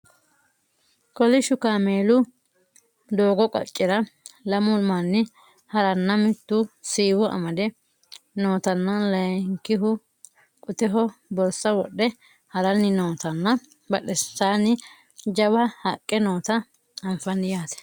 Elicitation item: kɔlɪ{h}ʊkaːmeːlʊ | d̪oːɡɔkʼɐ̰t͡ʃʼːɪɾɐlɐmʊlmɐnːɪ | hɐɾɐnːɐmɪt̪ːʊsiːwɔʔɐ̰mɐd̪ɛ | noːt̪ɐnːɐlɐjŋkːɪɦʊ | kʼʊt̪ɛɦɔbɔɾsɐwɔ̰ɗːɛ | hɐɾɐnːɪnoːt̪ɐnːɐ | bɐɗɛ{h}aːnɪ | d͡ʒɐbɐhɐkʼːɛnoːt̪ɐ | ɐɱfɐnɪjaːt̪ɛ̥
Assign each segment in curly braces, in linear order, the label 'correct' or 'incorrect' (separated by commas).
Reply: incorrect, incorrect